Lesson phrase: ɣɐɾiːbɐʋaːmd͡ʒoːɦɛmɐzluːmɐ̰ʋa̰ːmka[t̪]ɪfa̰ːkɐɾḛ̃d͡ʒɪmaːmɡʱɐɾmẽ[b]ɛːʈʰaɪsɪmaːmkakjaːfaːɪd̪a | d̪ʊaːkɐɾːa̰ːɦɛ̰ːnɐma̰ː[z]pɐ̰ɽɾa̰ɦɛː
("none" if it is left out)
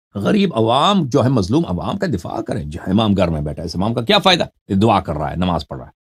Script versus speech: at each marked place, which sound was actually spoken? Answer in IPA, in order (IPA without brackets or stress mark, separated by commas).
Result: d̪, b, z